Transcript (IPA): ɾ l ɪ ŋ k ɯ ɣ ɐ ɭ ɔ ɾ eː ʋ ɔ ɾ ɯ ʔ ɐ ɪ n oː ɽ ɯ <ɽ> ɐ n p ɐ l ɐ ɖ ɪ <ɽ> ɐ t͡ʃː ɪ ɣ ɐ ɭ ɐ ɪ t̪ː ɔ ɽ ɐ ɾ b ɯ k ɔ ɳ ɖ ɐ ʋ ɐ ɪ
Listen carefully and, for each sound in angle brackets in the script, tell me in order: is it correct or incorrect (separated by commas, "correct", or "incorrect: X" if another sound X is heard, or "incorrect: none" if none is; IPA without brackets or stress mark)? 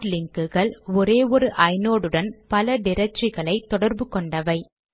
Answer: correct, incorrect: ɾ